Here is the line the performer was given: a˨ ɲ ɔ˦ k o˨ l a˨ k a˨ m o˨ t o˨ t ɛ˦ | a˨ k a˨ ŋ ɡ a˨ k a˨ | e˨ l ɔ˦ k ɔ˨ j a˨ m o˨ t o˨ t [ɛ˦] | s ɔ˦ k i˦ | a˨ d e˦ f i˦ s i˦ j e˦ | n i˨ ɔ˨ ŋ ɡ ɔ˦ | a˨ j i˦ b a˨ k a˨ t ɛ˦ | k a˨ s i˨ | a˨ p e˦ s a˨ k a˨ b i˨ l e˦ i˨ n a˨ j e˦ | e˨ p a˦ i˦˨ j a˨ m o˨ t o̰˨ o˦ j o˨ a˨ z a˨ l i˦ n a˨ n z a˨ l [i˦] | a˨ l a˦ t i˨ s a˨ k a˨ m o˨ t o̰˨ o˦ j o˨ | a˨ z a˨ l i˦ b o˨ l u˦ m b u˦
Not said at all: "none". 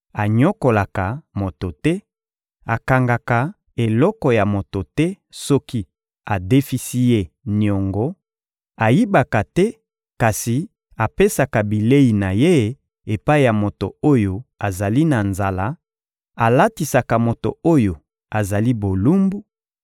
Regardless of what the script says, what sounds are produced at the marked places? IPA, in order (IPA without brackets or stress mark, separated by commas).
ɛ˦, a˦